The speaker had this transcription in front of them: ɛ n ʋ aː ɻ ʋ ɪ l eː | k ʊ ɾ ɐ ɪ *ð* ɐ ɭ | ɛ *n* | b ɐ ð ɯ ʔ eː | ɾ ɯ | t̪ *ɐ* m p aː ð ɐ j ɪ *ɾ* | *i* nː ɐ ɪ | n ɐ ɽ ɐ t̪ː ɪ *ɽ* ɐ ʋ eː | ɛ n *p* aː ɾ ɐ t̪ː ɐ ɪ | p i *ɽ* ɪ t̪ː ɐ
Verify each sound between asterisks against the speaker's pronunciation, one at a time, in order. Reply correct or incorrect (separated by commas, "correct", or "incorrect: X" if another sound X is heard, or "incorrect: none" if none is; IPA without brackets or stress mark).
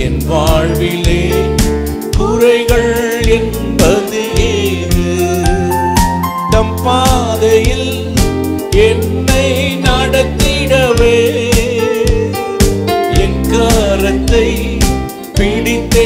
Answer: incorrect: ɣ, correct, correct, incorrect: l, incorrect: ɛ, correct, incorrect: k, correct